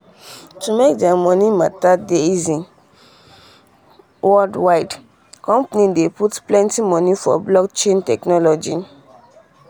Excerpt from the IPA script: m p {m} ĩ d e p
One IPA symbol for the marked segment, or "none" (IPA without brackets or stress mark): n